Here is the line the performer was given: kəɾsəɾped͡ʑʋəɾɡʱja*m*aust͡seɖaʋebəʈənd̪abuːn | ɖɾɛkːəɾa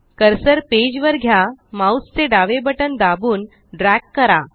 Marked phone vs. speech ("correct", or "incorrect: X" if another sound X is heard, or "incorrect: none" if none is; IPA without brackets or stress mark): correct